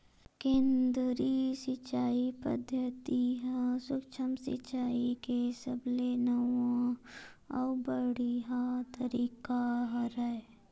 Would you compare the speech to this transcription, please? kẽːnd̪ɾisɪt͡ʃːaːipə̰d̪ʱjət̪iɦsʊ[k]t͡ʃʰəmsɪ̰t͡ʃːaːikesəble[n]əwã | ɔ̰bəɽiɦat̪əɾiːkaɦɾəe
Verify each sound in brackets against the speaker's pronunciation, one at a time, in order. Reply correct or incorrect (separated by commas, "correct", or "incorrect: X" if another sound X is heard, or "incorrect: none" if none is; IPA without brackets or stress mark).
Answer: correct, correct